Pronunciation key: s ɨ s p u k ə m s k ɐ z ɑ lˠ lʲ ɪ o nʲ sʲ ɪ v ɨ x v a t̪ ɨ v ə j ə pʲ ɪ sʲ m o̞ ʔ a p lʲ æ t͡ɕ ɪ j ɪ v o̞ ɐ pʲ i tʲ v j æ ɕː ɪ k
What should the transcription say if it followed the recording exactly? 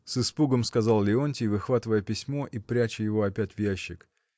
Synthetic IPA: s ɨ s p u ɡ ə m s k ɐ z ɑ lˠ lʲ ɪ o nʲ tʲ ɪ v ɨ x v a t̪ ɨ v ə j ə pʲ ɪ sʲ m o̞ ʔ i p ɾʲ æ t͡ɕ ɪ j ɪ v o̞ ɐ pʲ æ tʲ v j æ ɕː ɪ k

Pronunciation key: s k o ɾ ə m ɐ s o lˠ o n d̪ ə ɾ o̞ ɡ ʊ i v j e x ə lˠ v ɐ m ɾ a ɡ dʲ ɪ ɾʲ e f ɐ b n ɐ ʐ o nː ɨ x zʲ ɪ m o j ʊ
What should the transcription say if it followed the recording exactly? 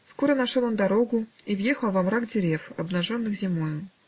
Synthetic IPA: s k o ɾ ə n ɐ ʂ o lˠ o n d̪ ɐ ɾ o̞ ɡ ʊ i v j e x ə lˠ v ɐ m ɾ a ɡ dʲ ɪ ɾʲ e f ɐ b n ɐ ʐ o nː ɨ x zʲ ɪ m o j ʊ

